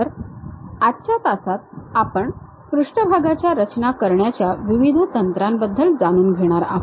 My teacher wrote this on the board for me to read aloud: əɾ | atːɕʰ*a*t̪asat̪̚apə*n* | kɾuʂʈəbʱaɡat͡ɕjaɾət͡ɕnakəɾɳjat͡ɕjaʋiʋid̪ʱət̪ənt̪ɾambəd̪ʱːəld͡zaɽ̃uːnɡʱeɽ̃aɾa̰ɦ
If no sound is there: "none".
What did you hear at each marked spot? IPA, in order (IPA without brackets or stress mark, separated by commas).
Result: a, ɳ